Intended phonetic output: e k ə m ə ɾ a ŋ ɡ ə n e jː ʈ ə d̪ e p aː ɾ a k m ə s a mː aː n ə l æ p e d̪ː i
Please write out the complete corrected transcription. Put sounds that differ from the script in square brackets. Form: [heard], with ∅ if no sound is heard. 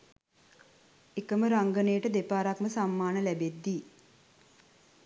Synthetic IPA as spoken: e k ə m ə ɾ a ŋ ɡ ə n e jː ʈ ə d̪ e p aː ɾ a k m ə s a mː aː n ə l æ [b] e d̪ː i